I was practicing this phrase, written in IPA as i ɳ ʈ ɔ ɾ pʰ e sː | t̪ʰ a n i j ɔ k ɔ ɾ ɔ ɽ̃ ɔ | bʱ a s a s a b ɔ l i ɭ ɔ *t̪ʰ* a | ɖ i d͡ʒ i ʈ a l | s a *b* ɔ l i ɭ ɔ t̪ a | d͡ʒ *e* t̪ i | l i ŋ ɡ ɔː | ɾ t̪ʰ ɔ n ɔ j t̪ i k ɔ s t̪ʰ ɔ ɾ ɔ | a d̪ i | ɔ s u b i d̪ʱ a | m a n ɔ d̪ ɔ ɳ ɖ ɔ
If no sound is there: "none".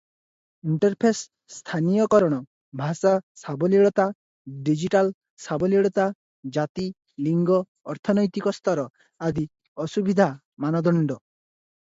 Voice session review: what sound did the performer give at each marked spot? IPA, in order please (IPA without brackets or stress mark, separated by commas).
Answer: t̪, b, a